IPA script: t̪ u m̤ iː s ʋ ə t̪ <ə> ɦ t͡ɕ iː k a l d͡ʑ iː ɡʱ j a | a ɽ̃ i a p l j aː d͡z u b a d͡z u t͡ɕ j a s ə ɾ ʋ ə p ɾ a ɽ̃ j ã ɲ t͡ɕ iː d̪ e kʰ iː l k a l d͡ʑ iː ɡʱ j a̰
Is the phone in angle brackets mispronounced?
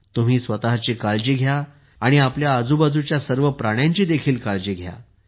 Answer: yes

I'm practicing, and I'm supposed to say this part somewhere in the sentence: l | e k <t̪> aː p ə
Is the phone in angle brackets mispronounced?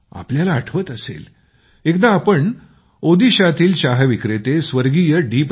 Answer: yes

